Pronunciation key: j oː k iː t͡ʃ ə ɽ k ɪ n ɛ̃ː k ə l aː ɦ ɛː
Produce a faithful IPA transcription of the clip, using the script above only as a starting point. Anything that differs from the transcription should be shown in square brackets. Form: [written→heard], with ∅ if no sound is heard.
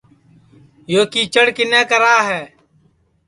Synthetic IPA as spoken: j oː k iː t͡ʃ ə ɽ k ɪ n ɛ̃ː k ə [l→ɾ] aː ɦ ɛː